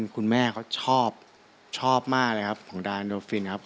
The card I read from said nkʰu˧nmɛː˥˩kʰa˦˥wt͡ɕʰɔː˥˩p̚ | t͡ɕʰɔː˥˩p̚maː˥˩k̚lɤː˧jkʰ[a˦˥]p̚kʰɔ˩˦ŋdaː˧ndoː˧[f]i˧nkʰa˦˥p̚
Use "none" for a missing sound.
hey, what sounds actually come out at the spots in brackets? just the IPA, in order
a˦˥, f

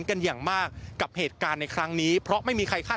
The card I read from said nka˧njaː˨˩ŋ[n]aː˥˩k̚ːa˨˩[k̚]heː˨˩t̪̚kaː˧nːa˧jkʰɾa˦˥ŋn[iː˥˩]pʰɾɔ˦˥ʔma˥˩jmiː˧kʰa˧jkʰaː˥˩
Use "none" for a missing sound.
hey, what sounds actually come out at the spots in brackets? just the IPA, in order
m, p̚, iː˦˥

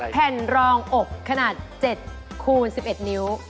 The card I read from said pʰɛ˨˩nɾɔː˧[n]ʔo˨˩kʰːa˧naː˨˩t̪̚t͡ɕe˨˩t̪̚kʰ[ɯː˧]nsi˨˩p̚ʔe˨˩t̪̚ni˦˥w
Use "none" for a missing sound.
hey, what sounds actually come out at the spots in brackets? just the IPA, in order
ŋ, uː˧

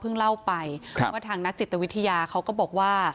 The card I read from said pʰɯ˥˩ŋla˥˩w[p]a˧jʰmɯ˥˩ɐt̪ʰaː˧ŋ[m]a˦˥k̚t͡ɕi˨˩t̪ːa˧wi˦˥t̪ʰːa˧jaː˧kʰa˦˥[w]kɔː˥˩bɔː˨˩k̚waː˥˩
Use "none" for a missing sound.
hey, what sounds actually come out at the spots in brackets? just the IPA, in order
p, n, w

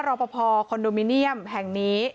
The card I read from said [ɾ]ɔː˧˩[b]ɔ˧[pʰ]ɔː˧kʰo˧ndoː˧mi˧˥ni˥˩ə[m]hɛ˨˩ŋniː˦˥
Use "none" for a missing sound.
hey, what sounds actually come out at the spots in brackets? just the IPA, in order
ɾ, p, pʰ, m

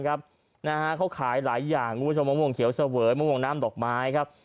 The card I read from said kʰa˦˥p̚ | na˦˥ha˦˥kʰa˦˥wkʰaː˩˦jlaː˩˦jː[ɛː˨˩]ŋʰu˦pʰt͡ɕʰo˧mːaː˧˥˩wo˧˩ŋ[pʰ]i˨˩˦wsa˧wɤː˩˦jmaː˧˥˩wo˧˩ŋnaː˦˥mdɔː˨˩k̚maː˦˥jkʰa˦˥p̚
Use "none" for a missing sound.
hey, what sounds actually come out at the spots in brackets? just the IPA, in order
aː˨˩, kʰ

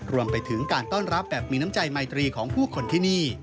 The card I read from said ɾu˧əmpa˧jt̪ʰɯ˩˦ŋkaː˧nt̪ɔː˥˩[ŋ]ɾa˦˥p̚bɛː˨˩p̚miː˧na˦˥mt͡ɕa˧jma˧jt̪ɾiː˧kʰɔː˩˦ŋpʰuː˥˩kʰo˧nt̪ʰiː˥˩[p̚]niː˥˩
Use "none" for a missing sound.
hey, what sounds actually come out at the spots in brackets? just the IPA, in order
n, none

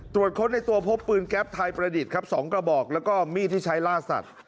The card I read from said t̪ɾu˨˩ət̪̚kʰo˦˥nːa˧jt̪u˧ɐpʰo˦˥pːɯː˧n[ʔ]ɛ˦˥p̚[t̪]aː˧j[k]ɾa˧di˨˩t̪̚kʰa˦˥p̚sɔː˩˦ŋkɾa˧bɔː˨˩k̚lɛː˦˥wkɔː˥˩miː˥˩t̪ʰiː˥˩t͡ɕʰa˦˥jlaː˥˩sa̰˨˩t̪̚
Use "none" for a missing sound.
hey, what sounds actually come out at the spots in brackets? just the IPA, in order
k, t̪ʰ, p

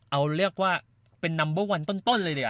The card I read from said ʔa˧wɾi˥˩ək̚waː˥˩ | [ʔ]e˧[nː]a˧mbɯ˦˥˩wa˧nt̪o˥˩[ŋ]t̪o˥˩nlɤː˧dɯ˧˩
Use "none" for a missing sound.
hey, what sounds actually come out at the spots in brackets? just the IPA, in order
p, nː, n

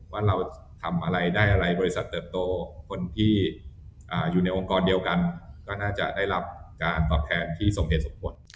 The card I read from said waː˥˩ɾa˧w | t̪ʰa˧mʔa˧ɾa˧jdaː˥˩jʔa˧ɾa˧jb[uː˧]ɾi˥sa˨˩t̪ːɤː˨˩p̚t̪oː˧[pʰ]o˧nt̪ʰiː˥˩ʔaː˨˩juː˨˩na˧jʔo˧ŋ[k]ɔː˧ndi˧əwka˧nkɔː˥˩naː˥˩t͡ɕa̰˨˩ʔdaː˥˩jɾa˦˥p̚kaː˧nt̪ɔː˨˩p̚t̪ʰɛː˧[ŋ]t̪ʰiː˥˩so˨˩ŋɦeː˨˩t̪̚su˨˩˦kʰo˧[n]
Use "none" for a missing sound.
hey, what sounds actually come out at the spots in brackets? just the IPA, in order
ɔː˧, kʰ, k, n, n

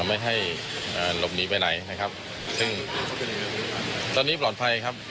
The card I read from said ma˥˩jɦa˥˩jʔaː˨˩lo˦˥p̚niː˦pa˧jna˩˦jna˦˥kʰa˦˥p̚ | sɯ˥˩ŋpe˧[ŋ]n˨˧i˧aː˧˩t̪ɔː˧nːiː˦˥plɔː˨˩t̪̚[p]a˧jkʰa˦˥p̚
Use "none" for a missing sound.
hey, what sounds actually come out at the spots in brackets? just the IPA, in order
none, pʰ

